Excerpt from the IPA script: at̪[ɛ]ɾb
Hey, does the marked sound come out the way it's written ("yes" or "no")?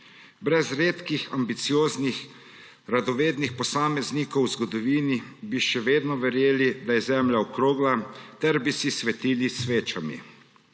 yes